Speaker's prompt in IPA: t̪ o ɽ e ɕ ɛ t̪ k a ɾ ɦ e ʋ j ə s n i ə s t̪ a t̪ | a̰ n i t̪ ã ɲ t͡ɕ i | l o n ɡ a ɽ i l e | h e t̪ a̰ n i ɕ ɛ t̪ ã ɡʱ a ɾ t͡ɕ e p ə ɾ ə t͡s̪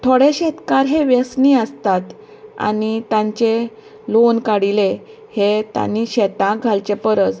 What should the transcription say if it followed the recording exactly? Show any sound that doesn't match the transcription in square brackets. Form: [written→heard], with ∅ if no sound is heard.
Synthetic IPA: [t̪→t̪ʰ] o ɽ e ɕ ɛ t̪ k a ɾ ɦ e ʋ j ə s n i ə s t̪ a t̪ | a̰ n i t̪ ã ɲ t͡ɕ [i→e] | l o n [ɡ→k] a ɽ i l e | h e t̪ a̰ n i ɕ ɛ t̪ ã ɡʱ a [ɾ→l] t͡ɕ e p ə ɾ ə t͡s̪